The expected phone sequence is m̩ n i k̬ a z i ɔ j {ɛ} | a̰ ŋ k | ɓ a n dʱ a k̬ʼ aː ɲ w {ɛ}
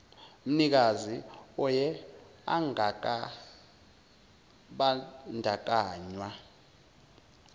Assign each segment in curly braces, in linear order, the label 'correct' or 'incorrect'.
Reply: correct, incorrect

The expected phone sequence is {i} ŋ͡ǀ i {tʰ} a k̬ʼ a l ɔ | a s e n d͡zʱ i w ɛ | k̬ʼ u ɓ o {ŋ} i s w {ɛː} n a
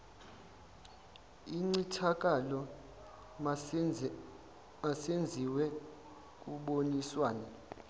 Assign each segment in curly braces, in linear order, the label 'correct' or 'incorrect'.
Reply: correct, correct, incorrect, incorrect

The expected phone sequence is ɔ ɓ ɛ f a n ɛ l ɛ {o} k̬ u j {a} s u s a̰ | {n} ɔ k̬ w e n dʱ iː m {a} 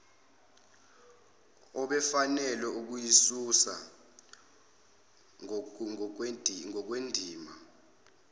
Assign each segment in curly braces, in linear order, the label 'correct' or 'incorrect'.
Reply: incorrect, incorrect, incorrect, correct

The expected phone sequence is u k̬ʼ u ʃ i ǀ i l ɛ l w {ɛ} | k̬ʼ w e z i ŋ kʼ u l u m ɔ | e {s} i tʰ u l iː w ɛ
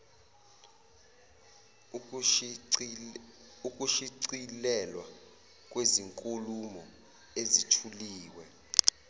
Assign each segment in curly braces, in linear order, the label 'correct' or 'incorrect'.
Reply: incorrect, incorrect

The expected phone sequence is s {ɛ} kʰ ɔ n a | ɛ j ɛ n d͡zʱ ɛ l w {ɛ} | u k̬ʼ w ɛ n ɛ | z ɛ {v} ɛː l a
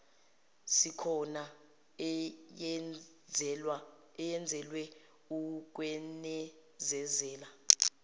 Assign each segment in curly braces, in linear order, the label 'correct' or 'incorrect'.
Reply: incorrect, correct, incorrect

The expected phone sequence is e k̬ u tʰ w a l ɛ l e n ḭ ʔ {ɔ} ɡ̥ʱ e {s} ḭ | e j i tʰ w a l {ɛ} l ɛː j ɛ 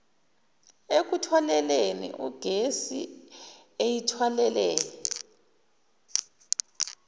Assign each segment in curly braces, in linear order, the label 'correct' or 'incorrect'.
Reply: incorrect, correct, correct

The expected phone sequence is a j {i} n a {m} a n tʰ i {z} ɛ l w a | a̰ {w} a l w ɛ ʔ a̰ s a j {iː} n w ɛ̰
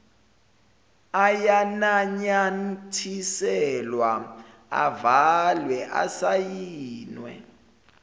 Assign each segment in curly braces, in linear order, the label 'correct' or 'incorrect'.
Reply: incorrect, incorrect, incorrect, incorrect, correct

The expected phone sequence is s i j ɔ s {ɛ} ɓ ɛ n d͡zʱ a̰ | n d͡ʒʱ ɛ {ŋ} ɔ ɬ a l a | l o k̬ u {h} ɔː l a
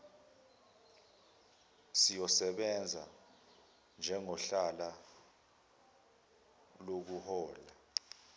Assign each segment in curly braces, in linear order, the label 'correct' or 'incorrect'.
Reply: correct, correct, correct

